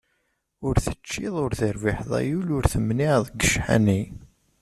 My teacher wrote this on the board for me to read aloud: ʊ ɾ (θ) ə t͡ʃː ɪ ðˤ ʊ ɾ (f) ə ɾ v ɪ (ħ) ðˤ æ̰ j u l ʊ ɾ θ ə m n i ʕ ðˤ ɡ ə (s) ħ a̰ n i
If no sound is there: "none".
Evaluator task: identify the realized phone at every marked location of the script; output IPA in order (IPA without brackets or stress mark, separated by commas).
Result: θ, θ, ħ, ʃ